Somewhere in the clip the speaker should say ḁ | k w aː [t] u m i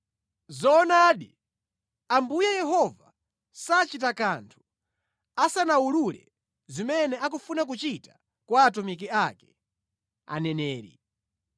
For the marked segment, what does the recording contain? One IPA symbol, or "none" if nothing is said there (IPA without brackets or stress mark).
t